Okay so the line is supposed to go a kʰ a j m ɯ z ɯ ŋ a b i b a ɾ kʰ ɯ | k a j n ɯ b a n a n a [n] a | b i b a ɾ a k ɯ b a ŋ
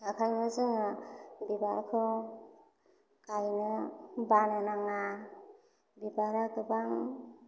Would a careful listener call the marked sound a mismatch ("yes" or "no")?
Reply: yes